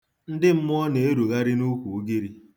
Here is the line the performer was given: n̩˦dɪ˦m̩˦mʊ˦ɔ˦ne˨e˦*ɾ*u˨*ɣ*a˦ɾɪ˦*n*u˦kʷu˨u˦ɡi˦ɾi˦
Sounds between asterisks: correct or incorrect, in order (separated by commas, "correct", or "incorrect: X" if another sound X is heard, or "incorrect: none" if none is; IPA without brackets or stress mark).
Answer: correct, correct, correct